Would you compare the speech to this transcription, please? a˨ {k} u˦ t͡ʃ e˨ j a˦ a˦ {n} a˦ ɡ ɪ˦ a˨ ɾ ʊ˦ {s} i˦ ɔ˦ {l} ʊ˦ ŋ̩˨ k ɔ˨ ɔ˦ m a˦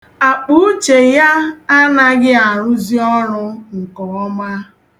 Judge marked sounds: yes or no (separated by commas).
no, yes, no, no